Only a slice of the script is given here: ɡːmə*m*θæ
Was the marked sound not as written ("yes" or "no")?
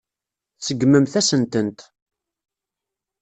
no